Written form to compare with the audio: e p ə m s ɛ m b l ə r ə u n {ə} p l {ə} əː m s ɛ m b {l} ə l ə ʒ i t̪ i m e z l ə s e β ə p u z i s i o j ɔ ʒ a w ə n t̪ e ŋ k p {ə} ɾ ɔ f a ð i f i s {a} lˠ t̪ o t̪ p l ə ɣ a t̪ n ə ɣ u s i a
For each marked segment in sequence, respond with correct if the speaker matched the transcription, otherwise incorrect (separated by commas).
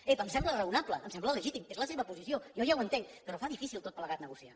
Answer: incorrect, correct, correct, correct, incorrect